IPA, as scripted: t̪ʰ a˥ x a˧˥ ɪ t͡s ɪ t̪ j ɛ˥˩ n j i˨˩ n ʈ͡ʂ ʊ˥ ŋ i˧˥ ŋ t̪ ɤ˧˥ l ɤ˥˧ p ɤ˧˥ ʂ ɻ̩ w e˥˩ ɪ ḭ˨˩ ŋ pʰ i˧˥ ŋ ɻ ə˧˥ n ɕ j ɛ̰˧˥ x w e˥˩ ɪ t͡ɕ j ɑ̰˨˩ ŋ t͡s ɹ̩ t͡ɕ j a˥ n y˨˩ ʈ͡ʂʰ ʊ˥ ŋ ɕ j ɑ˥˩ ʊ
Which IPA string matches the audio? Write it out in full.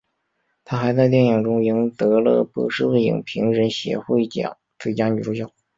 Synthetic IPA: t̪ʰ a˥ x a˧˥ ɪ t͡s ɪ t̪ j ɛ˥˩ n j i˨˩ ŋ ʈ͡ʂ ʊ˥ ŋ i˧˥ ŋ t̪ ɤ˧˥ l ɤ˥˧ p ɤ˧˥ ʂ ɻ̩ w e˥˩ ɪ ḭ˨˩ ŋ pʰ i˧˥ ŋ ɻ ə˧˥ n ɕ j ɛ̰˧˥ x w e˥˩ ɪ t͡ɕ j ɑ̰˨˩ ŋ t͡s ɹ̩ t͡ɕ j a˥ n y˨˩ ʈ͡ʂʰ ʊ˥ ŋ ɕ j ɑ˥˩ ʊ